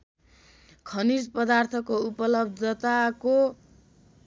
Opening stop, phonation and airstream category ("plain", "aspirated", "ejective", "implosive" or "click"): aspirated